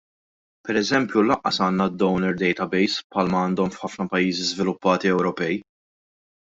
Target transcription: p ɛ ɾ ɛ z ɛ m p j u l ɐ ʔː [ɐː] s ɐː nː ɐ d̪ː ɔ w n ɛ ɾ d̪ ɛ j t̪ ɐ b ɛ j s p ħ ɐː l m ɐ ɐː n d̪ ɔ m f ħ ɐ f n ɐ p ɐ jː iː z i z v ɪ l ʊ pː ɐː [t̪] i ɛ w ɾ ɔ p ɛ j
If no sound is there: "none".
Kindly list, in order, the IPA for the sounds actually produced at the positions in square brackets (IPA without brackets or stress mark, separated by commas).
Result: ɐ, t̪